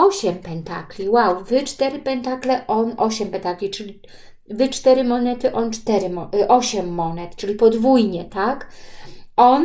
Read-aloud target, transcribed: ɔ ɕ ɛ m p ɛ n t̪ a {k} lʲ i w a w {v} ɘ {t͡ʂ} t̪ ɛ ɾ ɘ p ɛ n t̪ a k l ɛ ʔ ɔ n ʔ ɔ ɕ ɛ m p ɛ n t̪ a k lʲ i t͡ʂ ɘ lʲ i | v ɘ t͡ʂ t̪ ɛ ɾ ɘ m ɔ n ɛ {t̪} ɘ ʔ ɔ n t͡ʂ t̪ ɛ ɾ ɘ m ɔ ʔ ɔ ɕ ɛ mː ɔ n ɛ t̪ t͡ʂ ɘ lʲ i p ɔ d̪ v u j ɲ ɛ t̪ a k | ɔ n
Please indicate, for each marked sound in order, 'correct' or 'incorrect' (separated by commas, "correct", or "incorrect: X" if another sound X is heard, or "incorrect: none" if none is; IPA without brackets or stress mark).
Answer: correct, correct, correct, correct